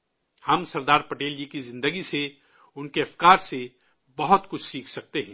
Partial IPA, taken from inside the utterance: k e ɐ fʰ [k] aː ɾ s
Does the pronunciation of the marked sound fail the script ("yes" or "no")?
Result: no